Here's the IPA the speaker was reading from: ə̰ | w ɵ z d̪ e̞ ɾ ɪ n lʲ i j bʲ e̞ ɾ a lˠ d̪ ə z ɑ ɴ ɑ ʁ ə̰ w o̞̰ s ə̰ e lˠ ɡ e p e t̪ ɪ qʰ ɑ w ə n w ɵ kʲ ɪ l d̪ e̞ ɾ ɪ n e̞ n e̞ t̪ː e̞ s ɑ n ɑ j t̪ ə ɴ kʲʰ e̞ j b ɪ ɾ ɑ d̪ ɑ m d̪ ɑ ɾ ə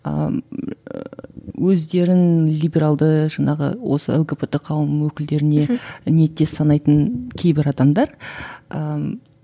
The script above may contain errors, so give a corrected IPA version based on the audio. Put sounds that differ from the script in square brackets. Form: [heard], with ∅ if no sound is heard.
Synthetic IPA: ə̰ | w ɵ z d̪ e̞ ɾ ɪ n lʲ i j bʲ e̞ ɾ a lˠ d̪ ə [ʒ] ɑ ɴ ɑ ʁ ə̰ w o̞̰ s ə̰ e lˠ ɡ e p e t̪ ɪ qʰ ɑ w ə [m] w ɵ kʲ ɪ l d̪ e̞ ɾ ɪ n e̞ n e̞ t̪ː e̞ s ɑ n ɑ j t̪ ə [n] kʲʰ e̞ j b ɪ ɾ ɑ d̪ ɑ m d̪ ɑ ɾ ə